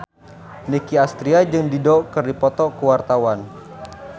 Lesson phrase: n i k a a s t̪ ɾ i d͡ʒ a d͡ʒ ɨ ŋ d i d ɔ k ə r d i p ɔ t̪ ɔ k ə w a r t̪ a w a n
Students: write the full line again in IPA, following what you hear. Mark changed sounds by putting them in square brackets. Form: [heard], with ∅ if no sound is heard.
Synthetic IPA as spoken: n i k [i] a s t̪ ɾ i [∅] a d͡ʒ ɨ ŋ d i d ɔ k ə r d i p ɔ t̪ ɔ k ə w a r t̪ a w a n